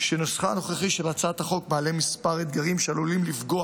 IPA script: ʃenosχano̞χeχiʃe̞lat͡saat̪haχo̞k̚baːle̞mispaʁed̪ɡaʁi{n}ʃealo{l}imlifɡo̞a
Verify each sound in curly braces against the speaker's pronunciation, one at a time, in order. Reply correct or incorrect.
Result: incorrect, correct

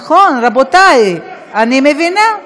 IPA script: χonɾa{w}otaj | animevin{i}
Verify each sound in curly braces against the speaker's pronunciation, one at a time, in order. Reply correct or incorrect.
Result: incorrect, incorrect

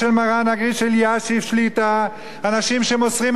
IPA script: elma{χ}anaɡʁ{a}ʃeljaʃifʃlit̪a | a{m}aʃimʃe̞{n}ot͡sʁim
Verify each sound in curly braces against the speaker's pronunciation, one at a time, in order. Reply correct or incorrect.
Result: incorrect, incorrect, incorrect, incorrect

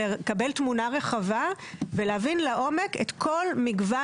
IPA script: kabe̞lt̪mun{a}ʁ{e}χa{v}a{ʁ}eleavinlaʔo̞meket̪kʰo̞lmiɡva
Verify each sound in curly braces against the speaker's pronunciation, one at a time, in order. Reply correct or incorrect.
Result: correct, correct, correct, incorrect

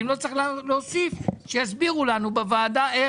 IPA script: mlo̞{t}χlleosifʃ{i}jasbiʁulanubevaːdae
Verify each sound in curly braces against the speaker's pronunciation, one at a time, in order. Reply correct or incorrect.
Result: incorrect, incorrect

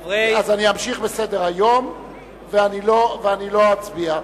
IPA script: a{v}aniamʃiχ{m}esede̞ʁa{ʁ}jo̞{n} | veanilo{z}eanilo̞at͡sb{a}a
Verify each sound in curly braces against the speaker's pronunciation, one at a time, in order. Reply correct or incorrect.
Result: incorrect, incorrect, incorrect, incorrect, incorrect, incorrect

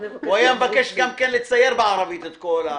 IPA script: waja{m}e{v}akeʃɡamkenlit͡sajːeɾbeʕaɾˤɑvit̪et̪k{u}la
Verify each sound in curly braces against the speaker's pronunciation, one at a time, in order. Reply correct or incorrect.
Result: correct, correct, incorrect

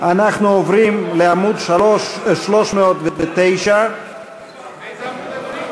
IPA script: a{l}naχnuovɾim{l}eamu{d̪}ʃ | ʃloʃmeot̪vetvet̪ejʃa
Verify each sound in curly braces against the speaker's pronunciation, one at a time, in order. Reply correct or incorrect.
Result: incorrect, correct, correct

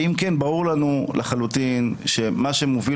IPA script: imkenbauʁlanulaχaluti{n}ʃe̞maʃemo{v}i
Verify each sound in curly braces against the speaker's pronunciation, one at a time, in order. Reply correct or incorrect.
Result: correct, correct

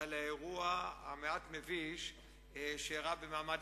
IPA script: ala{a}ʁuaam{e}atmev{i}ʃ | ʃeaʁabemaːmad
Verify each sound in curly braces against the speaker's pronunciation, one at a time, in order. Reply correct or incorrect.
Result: incorrect, correct, correct

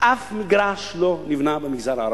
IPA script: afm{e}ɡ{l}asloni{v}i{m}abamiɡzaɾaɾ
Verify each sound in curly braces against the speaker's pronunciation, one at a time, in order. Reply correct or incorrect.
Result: incorrect, incorrect, correct, incorrect

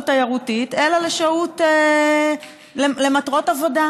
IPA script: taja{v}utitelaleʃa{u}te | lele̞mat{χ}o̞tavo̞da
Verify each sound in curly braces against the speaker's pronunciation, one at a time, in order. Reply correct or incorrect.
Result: incorrect, correct, incorrect

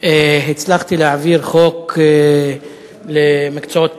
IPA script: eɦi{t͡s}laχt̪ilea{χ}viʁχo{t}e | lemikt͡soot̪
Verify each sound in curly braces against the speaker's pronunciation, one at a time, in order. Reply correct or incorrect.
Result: correct, incorrect, incorrect

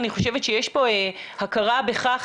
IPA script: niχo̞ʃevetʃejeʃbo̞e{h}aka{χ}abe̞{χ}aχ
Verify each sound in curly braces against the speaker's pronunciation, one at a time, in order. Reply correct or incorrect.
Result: correct, incorrect, correct

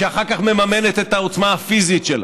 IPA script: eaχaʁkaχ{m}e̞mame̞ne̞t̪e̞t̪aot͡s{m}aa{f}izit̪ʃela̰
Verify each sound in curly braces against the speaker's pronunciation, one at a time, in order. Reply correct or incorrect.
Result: correct, correct, correct

